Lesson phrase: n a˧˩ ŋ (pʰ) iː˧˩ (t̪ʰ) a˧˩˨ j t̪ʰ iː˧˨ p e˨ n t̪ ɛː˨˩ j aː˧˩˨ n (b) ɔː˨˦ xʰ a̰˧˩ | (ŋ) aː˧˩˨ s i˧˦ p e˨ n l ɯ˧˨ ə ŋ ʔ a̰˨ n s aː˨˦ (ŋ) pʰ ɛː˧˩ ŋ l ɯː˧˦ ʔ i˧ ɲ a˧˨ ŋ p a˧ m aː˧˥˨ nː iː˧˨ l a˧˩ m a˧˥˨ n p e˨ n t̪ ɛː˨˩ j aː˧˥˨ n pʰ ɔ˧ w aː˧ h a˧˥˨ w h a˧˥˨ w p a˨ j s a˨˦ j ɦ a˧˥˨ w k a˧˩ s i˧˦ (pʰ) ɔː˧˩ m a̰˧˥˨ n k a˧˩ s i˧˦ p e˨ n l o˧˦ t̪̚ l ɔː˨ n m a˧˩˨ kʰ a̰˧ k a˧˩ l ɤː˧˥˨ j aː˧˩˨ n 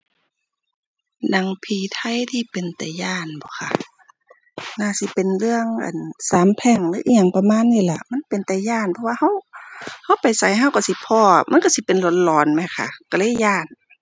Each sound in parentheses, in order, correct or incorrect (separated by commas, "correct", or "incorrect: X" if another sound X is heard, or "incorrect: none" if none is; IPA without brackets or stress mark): correct, correct, correct, incorrect: n, incorrect: m, correct